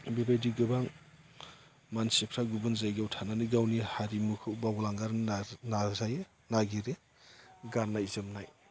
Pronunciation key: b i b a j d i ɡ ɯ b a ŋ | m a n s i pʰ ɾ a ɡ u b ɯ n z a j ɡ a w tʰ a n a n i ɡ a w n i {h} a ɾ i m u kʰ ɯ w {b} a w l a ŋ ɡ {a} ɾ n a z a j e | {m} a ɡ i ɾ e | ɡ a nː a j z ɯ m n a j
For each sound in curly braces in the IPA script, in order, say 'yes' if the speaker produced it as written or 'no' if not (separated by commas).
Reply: yes, yes, yes, no